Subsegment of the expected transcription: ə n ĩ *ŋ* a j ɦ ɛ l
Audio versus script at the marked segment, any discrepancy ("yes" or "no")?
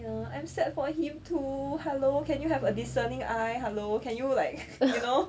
no